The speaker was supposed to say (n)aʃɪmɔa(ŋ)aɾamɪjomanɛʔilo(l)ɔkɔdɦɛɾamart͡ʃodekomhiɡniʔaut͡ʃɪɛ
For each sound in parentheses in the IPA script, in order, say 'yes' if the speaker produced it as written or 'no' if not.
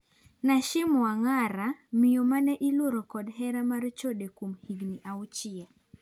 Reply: yes, yes, no

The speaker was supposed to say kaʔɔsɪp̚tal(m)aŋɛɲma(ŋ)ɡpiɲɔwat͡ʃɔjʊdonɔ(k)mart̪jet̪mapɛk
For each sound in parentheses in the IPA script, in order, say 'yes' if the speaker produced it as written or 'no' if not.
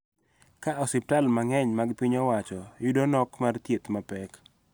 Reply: yes, no, yes

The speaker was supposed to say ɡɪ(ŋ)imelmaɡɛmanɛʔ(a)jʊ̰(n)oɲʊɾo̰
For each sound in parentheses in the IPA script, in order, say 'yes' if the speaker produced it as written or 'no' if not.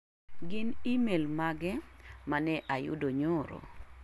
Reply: no, yes, no

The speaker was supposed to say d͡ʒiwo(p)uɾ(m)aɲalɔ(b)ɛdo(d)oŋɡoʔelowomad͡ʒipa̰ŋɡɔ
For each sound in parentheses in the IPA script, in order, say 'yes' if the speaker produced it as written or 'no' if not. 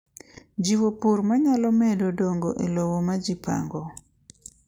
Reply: yes, yes, no, yes

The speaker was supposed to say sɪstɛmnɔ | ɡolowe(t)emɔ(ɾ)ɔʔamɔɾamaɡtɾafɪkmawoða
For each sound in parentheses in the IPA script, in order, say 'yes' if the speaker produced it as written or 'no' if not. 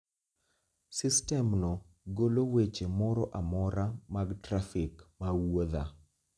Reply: no, yes

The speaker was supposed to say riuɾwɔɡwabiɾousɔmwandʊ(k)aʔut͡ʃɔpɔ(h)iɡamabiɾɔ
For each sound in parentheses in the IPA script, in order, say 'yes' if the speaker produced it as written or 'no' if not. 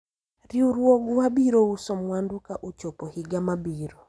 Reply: yes, yes

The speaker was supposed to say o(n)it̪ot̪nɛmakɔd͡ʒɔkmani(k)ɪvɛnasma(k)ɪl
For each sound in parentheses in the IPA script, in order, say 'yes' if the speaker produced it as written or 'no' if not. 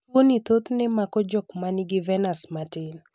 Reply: yes, no, no

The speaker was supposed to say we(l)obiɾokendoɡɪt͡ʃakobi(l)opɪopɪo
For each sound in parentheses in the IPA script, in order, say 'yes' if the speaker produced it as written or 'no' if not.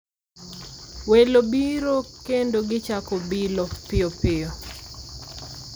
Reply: yes, yes

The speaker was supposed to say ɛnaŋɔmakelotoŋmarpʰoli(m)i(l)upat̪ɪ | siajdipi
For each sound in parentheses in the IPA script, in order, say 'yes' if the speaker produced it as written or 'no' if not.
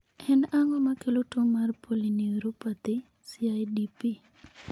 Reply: no, no

